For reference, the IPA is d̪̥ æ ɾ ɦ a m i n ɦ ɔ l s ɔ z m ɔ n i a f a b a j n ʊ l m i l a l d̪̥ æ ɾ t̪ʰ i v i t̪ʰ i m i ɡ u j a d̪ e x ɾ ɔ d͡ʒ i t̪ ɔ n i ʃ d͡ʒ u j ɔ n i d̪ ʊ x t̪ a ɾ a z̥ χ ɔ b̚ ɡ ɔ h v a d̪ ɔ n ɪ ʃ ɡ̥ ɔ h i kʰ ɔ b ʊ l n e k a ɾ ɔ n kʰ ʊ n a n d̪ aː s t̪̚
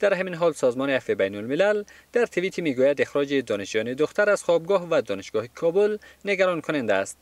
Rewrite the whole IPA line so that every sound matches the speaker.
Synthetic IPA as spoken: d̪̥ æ ɾ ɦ a m i n ɦ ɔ l s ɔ z m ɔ n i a f i b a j n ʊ l m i l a l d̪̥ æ ɾ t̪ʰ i v i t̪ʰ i m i ɡ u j a d̪ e x ɾ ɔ d͡ʒ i d̪ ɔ n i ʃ d͡ʒ u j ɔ n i d̪ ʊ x t̪ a ɾ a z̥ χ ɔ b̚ ɡ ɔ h v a d̪ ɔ n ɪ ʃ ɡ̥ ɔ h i kʰ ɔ b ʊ l n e ɡ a ɾ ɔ n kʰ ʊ n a n d̪ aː s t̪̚

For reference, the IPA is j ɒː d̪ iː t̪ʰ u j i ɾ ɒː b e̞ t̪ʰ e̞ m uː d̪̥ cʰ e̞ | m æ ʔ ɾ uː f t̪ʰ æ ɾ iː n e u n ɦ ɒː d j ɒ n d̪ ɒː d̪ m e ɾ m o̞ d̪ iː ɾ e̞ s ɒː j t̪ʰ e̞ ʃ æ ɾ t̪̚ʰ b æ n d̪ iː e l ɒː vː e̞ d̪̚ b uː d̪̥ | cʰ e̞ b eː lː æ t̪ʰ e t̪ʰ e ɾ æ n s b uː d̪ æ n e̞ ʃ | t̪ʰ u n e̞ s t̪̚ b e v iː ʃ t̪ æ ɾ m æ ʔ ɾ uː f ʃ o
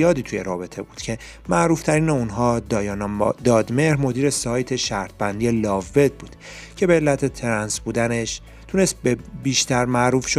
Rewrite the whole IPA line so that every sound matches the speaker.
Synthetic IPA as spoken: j ɒː d̪ iː t̪ʰ u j e ɾ ɒː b e̞ t̪ʰ e̞ b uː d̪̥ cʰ e̞ | m æ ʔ ɾ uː f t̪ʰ æ ɾ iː n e u n ɦ ɒː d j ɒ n d̪ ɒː d̪ m e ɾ m o̞ d̪ iː ɾ e̞ s ɒː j t̪ʰ e̞ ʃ æ ɾ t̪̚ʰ b æ n d̪ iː e l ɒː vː e̞ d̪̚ b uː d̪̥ | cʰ e̞ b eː lː æ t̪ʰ e t̪ʰ e ɾ æ n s b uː d̪ æ n e̞ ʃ | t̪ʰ u n e̞ s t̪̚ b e b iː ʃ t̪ æ ɾ m æ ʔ ɾ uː f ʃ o

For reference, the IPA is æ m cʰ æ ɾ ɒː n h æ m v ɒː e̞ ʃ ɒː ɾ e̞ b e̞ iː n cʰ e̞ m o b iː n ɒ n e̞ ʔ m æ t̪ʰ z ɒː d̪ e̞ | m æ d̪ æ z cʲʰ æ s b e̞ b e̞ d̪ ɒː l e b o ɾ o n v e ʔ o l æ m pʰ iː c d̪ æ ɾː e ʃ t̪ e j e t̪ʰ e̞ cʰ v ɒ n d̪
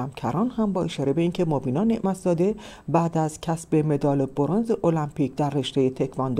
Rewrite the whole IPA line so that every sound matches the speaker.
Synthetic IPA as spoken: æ m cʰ æ ɾ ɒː n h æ m b ɒː e̞ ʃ ɒː ɾ e̞ b e̞ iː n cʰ e̞ m o b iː n ɒ n e̞ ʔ m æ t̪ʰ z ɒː d̪ e̞ | b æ d̪ æ z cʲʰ æ s b e̞ m e̞ d̪ ɒː l e b o ɾ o n z e ʔ o l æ m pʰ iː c d̪ æ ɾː e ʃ t̪ e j e t̪ʰ e̞ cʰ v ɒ n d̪

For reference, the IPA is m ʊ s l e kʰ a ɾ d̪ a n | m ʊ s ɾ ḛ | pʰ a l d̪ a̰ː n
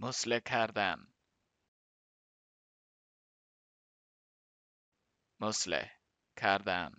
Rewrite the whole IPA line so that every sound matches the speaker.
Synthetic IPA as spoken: m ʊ s l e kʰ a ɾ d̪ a n | m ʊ s l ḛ | kʰ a ɾ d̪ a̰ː n

